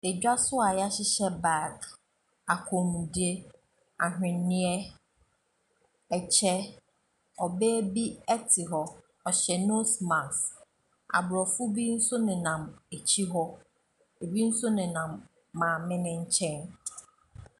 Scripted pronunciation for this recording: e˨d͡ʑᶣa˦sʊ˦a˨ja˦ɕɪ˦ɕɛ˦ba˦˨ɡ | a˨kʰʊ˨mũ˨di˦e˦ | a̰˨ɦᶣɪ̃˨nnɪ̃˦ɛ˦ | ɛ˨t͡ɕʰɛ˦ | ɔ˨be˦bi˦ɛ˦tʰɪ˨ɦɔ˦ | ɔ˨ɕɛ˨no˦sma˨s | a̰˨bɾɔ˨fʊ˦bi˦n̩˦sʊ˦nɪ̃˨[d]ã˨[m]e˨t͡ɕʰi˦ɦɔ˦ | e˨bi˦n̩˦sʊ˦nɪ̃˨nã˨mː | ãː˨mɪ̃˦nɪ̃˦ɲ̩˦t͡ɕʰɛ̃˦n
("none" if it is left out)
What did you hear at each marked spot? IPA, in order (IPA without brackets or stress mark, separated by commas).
n, m